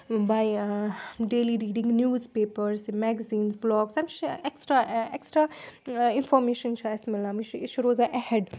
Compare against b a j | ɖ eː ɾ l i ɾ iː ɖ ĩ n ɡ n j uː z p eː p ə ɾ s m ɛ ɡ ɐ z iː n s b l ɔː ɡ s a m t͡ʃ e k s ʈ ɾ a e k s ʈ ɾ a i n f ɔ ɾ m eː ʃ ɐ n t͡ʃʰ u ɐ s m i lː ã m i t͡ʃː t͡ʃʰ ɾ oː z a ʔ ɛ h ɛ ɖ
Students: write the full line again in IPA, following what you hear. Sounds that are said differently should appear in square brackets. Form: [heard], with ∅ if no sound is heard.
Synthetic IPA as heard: b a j | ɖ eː [∅] l i ɾ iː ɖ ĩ [ŋ] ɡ n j uː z p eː p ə ɾ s m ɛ ɡ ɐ z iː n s b l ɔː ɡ s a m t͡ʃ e k s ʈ ɾ a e k s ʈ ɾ a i n f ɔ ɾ m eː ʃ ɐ n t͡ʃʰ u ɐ s m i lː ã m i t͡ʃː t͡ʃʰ ɾ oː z a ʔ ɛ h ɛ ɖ